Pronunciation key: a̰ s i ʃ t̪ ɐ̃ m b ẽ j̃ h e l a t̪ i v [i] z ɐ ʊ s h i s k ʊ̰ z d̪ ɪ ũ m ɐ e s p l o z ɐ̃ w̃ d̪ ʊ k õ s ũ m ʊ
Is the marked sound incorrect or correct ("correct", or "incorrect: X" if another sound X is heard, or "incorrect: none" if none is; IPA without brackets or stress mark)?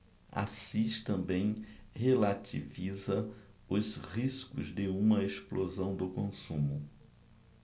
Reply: correct